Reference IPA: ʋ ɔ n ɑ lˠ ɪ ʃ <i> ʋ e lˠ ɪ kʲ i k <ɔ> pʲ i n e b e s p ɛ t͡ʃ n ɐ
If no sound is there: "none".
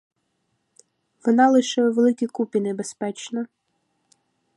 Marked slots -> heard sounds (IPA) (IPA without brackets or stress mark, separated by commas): ɛ, u